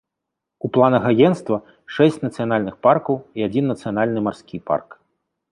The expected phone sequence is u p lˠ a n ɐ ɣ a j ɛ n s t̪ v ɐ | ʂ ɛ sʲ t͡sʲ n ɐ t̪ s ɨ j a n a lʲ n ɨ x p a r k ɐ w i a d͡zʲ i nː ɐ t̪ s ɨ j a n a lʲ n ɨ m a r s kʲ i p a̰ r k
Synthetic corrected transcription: u p lˠ a n ɐ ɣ a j ɛ n s t̪ v ɐ | ʂ ɛ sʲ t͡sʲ n ɐ t̪ s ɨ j a n a lʲ n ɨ x p a r k ɐ w i a d͡zʲ i nː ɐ t̪ s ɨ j a n a lʲ n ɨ m a r s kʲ i p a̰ r k